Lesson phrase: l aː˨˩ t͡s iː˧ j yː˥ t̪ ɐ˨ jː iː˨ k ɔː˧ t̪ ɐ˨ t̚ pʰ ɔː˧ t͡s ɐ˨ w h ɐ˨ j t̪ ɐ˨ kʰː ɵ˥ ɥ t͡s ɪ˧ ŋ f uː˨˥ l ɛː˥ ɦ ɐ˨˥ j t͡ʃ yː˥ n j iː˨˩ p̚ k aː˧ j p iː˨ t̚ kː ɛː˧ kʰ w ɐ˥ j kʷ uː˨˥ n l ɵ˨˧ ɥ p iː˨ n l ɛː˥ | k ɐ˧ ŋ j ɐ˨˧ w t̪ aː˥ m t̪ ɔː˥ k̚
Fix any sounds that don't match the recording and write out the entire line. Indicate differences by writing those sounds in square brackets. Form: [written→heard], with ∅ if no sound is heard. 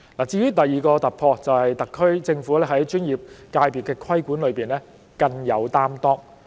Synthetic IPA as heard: l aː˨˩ t͡s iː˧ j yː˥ t̪ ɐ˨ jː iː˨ k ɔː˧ t̪ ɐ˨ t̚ pʰ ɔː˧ t͡s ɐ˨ w h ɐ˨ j t̪ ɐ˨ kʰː ɵ˥ ɥ t͡s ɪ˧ ŋ f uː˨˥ l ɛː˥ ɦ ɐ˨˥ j t͡ʃ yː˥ n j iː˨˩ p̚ k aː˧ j p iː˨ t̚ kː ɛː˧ kʰ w ɐ˥ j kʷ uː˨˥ n l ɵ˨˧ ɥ p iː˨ n l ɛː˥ | k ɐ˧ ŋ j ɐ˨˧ w t̪ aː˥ m t̪ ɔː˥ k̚